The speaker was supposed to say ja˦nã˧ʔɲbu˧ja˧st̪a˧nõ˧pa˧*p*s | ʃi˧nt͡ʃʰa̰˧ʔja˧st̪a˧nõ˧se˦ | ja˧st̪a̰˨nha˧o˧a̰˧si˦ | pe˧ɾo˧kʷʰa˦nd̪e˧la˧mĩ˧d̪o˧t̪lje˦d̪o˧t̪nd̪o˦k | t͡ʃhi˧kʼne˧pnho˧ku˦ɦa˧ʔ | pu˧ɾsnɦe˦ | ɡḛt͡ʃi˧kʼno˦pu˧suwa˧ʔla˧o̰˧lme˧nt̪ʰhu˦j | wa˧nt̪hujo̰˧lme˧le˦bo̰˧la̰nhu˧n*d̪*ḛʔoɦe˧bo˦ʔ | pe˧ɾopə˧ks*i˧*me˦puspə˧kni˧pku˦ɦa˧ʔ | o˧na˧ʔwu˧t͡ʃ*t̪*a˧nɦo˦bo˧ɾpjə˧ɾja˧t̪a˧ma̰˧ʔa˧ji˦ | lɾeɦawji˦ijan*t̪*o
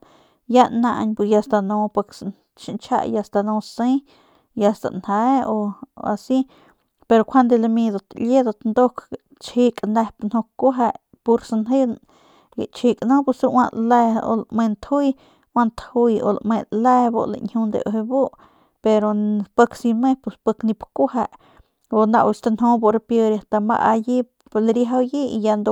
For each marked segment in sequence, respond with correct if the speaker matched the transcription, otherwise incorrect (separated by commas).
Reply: incorrect, correct, correct, correct, incorrect